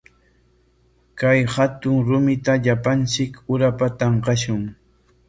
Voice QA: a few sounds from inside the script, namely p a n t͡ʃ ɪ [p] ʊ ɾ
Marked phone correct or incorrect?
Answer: incorrect